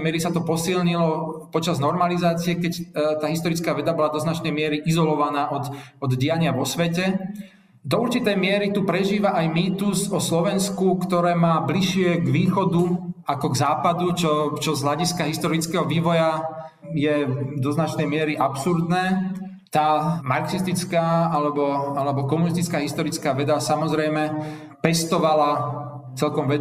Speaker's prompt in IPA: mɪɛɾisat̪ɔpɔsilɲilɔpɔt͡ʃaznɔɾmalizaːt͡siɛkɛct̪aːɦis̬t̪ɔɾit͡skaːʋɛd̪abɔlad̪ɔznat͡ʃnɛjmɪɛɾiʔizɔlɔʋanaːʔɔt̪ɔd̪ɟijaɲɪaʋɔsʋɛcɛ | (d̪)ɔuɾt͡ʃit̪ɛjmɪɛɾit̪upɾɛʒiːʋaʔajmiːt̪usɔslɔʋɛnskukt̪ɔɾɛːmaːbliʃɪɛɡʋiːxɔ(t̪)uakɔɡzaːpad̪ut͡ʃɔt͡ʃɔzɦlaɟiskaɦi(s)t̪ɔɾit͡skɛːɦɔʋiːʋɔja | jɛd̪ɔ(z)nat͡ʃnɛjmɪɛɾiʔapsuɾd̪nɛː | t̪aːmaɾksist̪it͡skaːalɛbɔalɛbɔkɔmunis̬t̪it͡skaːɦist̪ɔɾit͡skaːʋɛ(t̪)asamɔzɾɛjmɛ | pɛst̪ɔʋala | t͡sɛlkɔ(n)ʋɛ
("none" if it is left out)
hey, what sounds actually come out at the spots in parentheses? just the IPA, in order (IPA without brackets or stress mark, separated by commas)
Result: d̪, d̪, s, z, d̪, m